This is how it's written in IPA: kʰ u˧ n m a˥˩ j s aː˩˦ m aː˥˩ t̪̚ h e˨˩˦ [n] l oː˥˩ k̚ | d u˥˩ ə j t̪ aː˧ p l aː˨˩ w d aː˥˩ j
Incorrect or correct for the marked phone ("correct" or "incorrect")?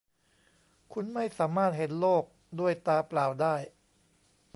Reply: correct